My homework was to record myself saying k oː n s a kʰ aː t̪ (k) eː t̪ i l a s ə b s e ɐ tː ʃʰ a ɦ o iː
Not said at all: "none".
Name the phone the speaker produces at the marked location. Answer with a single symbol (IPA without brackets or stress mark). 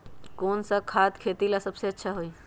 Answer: kʰ